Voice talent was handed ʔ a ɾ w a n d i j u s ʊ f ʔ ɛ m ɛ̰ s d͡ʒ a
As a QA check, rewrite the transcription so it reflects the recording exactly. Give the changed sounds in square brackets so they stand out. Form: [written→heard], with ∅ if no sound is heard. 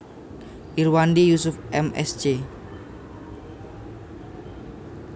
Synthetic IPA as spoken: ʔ [a→i] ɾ w a n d i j u s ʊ f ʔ ɛ m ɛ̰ s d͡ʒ [a→e]